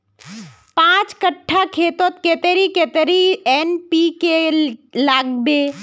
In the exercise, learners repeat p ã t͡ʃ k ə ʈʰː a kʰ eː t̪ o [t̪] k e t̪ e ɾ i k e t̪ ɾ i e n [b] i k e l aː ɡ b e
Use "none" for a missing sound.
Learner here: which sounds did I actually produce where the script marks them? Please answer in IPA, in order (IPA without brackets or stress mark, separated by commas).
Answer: t̪, p